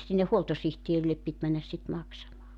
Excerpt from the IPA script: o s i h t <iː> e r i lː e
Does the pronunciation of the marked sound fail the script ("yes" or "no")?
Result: yes